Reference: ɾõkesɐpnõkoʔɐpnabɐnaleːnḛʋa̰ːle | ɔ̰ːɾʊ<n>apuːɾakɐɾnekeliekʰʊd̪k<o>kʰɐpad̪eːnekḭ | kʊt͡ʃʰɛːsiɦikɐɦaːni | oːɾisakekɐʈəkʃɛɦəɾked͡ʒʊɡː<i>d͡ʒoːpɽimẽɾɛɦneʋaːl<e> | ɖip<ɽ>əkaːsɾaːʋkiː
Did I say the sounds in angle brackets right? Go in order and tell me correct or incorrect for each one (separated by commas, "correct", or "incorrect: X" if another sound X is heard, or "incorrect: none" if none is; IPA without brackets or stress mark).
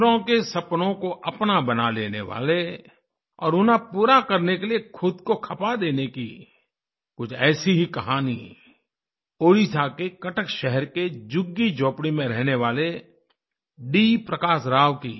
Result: correct, correct, correct, correct, incorrect: ɾ